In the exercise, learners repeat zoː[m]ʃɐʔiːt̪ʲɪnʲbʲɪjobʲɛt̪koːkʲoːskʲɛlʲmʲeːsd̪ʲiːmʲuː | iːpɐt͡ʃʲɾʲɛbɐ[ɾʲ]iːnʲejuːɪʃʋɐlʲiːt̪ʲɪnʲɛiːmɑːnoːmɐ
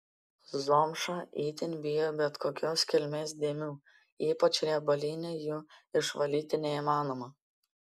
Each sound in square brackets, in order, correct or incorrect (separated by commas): correct, incorrect